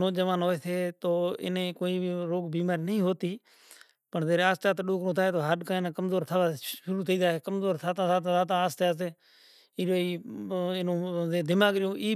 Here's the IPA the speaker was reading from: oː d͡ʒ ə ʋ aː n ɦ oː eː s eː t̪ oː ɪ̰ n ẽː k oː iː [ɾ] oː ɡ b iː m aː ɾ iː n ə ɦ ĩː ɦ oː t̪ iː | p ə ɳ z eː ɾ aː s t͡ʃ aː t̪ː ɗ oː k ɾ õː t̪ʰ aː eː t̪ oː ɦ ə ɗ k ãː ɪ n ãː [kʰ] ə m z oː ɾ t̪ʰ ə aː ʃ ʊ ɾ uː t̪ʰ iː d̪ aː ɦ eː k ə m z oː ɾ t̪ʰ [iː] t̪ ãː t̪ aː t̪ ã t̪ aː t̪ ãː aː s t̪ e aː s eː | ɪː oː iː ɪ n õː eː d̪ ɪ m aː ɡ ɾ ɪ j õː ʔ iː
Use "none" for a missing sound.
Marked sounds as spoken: ɾ, k, aː

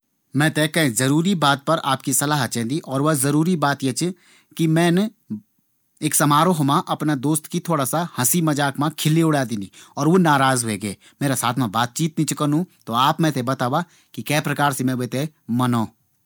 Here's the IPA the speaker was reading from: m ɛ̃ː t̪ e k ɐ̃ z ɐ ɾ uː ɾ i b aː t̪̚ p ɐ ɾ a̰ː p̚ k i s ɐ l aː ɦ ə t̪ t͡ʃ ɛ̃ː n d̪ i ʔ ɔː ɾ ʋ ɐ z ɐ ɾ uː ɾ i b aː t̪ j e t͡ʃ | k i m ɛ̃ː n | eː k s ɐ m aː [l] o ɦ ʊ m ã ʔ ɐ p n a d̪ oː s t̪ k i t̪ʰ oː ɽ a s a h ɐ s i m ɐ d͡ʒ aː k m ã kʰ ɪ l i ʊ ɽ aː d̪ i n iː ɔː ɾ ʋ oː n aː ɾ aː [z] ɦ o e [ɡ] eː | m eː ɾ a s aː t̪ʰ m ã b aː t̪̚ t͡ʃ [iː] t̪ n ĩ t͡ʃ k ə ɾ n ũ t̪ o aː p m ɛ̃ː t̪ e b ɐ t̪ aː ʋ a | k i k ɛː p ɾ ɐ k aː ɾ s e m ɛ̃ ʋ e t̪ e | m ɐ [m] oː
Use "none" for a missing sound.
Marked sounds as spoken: ɾ, z, ɡ, iː, n

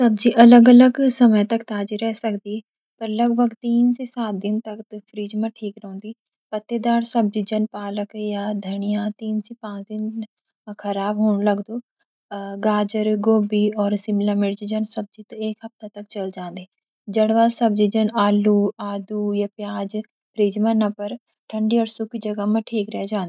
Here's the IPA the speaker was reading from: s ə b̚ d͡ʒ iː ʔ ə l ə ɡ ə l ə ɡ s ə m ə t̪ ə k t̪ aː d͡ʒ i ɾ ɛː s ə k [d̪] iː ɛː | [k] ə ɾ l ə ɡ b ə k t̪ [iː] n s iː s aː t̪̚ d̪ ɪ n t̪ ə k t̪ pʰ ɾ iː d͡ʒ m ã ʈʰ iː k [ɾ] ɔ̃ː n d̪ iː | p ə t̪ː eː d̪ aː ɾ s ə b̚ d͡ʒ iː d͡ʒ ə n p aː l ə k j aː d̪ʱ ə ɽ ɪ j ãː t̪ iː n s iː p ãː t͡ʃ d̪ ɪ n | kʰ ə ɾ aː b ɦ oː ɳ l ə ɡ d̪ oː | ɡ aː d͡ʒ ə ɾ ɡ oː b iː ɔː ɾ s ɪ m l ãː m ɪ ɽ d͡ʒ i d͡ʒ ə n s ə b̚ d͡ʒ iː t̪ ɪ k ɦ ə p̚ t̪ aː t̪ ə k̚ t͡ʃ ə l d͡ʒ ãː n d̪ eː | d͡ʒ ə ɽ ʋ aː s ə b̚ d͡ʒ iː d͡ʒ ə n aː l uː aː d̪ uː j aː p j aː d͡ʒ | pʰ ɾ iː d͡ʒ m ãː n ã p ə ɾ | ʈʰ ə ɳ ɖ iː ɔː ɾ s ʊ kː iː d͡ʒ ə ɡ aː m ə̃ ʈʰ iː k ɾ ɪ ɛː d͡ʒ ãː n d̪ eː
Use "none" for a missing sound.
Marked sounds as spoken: d̪, p, iː, ɾ

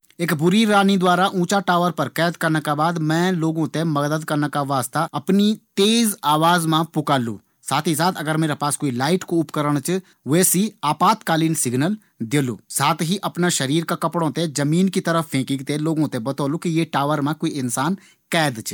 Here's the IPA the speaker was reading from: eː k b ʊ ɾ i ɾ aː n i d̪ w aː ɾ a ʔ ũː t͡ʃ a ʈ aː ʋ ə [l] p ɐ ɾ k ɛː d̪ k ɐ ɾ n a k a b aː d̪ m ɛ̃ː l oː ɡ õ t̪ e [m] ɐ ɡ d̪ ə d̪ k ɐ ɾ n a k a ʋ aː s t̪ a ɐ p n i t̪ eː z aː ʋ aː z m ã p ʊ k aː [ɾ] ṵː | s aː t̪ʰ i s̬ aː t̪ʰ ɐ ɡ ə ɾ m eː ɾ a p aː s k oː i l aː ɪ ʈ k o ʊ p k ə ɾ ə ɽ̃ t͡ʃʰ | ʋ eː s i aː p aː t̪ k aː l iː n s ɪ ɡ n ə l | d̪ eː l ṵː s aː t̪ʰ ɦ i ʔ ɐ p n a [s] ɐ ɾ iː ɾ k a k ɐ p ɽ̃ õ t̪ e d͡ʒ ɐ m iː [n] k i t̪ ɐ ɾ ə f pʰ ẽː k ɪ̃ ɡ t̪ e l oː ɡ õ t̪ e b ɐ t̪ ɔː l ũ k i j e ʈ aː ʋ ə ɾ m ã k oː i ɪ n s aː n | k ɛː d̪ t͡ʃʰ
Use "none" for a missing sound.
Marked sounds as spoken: ɾ, m, l, ʃ, n

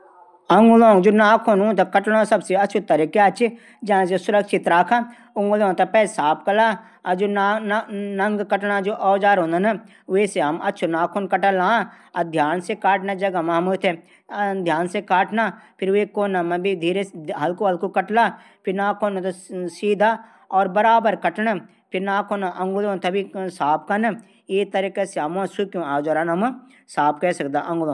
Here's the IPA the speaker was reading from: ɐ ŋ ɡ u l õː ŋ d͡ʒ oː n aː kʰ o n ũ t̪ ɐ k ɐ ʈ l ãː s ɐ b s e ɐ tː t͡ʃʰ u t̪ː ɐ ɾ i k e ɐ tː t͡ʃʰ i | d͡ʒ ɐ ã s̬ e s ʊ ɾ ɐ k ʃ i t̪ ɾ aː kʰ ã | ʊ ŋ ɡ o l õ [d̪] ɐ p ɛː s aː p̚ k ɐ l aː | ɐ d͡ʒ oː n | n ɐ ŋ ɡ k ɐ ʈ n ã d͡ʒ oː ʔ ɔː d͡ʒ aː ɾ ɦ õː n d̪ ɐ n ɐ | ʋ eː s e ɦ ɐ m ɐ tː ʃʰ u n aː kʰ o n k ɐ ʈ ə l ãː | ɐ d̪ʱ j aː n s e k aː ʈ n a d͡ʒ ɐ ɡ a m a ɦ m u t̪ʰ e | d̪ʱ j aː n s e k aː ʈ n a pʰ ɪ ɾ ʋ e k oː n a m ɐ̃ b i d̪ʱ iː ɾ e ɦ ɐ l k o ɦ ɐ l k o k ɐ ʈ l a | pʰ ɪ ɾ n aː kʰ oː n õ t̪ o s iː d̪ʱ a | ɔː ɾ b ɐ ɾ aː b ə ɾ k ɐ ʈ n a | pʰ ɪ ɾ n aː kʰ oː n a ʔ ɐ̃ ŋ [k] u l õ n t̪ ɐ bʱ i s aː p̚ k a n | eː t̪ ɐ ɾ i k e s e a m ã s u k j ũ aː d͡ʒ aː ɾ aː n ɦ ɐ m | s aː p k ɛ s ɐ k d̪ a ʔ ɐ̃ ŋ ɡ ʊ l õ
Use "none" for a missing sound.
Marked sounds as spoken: t̪, ɡ

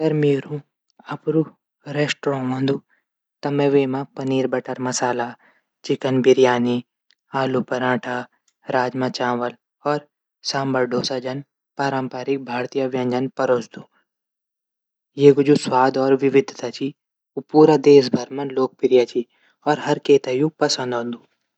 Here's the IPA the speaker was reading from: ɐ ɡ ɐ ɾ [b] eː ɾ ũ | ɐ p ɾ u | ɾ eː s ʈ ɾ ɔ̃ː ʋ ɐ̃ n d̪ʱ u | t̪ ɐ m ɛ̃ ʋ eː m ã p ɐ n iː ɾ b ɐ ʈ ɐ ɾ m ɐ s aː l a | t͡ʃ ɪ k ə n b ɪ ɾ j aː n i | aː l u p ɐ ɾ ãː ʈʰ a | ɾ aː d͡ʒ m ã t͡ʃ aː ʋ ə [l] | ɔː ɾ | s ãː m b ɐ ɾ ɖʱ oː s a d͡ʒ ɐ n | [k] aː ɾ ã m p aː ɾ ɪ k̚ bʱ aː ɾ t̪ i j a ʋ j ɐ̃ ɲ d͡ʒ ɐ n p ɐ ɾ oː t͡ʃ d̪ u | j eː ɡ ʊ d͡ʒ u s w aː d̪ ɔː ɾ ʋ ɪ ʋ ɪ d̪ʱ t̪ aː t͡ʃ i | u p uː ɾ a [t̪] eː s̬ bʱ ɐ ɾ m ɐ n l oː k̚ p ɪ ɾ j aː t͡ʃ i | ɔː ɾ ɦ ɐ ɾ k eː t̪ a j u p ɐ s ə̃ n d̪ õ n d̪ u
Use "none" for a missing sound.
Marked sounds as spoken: m, l, p, d̪

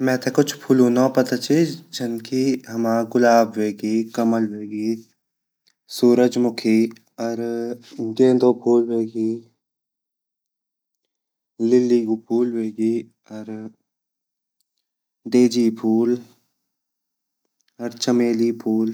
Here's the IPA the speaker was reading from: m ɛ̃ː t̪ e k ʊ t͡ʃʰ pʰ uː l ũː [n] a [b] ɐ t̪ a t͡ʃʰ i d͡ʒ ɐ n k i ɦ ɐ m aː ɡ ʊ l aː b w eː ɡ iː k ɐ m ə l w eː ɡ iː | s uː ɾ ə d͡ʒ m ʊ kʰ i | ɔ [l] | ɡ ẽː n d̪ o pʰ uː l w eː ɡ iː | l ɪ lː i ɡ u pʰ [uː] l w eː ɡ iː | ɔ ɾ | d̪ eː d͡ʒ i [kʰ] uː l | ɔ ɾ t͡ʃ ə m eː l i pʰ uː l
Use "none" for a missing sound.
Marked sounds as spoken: n, p, ɾ, uː, pʰ

